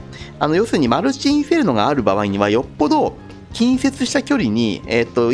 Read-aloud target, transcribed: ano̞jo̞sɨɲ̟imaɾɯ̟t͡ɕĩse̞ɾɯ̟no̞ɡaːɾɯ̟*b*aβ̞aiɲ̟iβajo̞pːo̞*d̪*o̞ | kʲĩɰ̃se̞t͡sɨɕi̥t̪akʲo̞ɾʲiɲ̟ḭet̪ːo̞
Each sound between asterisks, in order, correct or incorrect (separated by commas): correct, correct